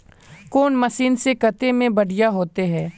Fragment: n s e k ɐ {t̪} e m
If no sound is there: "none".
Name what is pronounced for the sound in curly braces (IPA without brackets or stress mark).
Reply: t̪